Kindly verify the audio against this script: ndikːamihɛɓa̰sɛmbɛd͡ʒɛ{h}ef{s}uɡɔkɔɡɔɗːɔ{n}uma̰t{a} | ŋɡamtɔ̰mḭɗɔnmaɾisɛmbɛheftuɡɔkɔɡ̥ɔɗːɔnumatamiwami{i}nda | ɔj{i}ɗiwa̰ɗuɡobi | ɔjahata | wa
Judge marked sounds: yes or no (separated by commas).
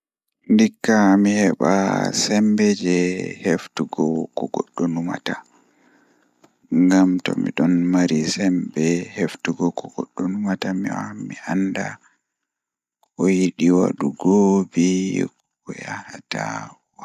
yes, no, yes, yes, no, yes